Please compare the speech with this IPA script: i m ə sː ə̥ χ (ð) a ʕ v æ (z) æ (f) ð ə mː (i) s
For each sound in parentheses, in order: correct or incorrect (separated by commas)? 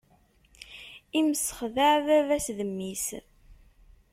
correct, incorrect, incorrect, correct